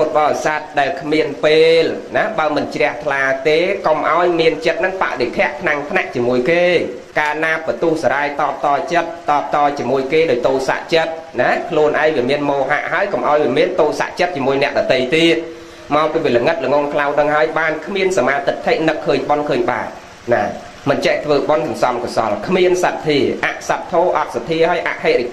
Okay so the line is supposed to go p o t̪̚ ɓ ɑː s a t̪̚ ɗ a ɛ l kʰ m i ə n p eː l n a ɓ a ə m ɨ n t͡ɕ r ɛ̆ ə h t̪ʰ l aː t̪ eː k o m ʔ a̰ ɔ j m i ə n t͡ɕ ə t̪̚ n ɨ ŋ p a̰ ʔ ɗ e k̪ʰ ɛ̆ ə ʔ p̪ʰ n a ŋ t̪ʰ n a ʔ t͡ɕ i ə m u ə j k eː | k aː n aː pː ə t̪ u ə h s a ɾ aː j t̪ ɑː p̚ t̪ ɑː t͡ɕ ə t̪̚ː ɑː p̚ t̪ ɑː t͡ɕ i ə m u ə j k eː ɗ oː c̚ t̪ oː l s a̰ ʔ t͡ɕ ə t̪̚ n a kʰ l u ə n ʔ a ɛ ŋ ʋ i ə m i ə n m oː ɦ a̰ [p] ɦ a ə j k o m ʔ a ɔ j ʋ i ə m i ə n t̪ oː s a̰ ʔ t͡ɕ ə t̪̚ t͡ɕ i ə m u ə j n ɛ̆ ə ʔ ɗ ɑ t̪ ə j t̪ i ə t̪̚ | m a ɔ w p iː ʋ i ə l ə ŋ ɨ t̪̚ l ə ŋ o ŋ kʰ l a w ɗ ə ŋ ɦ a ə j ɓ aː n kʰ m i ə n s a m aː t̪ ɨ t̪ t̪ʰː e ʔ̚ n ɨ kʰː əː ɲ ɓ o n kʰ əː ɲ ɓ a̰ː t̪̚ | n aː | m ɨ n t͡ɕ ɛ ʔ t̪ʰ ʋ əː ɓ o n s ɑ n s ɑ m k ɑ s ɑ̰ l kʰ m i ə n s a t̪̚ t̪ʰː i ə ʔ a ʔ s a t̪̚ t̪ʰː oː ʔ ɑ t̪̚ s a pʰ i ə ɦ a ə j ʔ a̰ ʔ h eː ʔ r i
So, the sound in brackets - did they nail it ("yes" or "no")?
no